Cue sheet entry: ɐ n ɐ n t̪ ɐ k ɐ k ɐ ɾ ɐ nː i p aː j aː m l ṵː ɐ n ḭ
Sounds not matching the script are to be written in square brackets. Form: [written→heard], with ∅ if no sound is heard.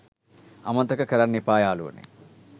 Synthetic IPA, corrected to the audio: ɐ [n→m] ɐ n t̪ ɐ k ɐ k ɐ ɾ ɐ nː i p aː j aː [m→∅] l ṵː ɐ n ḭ